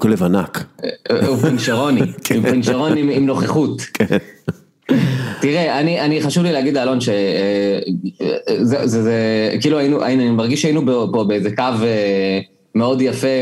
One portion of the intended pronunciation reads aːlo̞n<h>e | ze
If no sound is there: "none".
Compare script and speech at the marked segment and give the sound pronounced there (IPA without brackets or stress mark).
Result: ʃ